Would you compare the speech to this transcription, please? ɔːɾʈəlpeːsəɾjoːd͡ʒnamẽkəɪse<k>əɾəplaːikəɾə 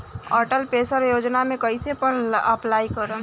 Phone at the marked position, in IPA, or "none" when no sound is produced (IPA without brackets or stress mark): p